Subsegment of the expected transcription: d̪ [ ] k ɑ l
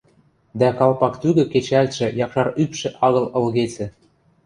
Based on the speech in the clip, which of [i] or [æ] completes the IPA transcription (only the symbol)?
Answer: æ